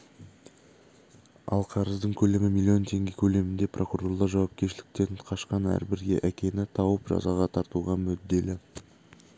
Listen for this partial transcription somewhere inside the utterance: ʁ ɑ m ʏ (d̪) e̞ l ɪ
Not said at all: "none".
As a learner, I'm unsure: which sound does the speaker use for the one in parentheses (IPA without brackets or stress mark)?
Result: d̪ː